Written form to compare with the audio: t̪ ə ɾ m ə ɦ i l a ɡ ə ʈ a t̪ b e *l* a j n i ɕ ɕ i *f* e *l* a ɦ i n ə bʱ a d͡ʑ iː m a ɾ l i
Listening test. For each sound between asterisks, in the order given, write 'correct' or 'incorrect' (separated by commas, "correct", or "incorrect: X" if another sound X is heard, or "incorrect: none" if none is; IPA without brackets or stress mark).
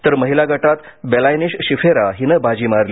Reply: correct, correct, incorrect: ɾ